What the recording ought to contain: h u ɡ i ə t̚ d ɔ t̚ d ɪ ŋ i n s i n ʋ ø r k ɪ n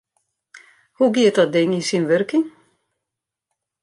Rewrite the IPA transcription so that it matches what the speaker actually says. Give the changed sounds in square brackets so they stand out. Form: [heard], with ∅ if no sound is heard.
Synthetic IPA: h u ɡ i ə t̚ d ɔ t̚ d ɪ ŋ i n s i n ʋ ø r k ɪ [ŋ]